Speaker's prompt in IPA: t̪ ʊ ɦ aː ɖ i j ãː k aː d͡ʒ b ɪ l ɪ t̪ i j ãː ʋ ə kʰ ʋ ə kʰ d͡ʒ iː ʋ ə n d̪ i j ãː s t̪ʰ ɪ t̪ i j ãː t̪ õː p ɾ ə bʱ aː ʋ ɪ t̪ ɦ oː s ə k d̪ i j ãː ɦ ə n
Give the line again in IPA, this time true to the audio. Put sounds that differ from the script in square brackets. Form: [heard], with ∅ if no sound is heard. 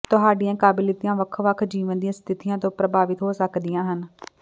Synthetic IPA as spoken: t̪ ʊ ɦ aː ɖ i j ãː k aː [∅] b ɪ l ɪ t̪ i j ãː ʋ ə kʰ ʋ ə kʰ d͡ʒ iː ʋ ə n d̪ i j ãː s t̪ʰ ɪ t̪ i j ãː t̪ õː p ɾ ə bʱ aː ʋ ɪ t̪ ɦ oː s ə k d̪ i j ãː ɦ ə n